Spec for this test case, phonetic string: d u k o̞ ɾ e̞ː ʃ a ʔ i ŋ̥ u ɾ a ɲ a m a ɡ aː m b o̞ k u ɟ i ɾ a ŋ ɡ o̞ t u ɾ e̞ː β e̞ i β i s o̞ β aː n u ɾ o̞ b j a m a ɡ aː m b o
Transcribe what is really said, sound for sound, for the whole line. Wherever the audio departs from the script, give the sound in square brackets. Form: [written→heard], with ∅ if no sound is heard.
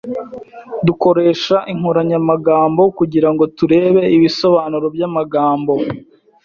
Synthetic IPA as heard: d u k o̞ ɾ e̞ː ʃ a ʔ i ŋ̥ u ɾ a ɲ a m a ɡ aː m b o̞ k u ɟ i ɾ a ŋ ɡ o̞ t u ɾ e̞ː β e̞ i β i s o̞ β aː n u ɾ o̞ b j a m a ɡ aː m b o

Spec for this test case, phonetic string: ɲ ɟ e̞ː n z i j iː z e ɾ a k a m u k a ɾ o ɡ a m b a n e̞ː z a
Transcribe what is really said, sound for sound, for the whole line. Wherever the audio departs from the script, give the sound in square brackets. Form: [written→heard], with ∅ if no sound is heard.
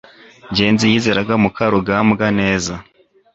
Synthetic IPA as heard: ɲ ɟ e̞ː n z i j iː z e ɾ a [k→ɡ] a m u k a ɾ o ɡ a m [b→ɡ] a n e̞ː z a

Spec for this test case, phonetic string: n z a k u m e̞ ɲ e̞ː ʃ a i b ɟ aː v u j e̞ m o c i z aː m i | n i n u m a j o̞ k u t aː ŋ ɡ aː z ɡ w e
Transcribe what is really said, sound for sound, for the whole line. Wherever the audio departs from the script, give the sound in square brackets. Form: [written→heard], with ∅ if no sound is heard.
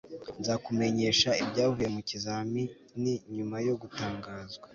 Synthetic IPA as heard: n z a k u m e̞ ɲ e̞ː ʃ a i b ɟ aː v u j e̞ m [o→u] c i z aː m i | n i [n→ɲ] u m a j o̞ [k→ɡ] u t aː ŋ ɡ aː z ɡ w [e→a]

